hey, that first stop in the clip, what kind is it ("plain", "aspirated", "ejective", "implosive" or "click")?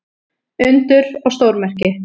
plain